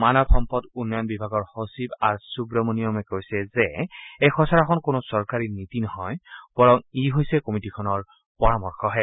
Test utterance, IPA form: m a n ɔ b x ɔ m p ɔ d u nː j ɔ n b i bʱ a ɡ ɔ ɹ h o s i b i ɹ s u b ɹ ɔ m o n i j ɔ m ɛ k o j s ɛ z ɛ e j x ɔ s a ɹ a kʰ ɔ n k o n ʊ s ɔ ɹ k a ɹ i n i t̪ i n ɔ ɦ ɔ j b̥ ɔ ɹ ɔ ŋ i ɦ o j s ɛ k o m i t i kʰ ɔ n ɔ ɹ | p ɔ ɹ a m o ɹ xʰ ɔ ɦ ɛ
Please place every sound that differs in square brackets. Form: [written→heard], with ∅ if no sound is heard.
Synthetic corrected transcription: m a n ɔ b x ɔ m p ɔ d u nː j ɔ n b i bʱ a ɡ ɔ ɹ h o s i b [i→a] ɹ s u b ɹ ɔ m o n i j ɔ m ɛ k o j s ɛ z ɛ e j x ɔ s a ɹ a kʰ ɔ n k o n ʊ s ɔ ɹ k a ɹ i n i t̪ i n ɔ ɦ ɔ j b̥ ɔ ɹ ɔ ŋ i ɦ o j s ɛ k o m i t i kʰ ɔ n ɔ ɹ | p ɔ ɹ a m [o→ɔ] ɹ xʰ ɔ ɦ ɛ